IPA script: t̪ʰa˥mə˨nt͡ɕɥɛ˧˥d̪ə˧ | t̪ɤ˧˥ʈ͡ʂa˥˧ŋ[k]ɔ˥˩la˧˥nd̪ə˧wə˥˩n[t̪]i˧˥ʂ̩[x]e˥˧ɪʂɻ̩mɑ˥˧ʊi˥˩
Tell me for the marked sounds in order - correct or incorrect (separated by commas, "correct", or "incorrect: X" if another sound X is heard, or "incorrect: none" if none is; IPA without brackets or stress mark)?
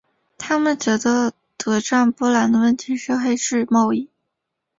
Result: incorrect: p, incorrect: t̪ʰ, correct